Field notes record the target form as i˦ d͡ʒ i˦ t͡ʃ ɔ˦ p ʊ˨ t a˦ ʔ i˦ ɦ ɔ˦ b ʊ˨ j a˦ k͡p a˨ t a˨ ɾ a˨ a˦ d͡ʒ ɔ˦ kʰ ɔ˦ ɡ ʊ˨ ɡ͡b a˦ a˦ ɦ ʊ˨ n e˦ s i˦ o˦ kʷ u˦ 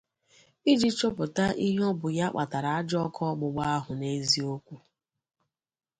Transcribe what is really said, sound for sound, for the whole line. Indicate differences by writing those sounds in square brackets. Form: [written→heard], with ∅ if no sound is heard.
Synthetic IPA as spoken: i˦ d͡ʒ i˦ t͡ʃ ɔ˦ p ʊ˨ t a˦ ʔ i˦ ɦ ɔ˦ b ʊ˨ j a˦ k͡p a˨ t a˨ ɾ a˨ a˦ d͡ʒ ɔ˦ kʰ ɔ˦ [ɡ→ɡ͡b] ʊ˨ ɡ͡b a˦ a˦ ɦ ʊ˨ n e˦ [s→z] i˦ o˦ kʷ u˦